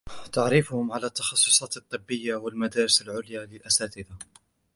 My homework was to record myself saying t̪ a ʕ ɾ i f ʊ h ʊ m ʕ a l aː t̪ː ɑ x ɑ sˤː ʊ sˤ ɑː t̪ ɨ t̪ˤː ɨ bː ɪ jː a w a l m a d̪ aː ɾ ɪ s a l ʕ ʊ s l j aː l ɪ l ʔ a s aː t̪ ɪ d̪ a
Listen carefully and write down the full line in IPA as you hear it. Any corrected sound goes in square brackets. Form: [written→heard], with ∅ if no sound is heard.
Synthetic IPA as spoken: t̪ a ʕ ɾ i f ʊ h ʊ m ʕ a l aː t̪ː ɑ x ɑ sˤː ʊ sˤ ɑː t̪ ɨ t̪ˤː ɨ bː ɪ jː a w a l m a d̪ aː ɾ ɪ s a l ʕ ʊ [s→∅] l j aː l ɪ l ʔ a s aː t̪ ɪ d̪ a